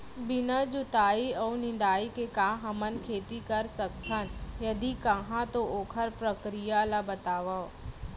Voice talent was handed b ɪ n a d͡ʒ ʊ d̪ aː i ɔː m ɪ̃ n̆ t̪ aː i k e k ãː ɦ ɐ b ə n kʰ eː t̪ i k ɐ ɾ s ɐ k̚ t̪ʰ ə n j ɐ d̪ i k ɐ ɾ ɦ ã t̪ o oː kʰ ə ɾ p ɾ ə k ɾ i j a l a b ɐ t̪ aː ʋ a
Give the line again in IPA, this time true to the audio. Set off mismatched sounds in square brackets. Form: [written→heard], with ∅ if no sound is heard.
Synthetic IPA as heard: b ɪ n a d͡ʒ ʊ [d̪→t̪] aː i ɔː [m→n] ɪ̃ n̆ [t̪→d̪] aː i k e k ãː ɦ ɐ [b→m] ə n kʰ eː t̪ i k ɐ ɾ s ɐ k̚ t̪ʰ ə n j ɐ d̪ i k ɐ [ɾ→∅] ɦ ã t̪ o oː kʰ ə ɾ p ɾ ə k ɾ i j a l a b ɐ t̪ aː ʋ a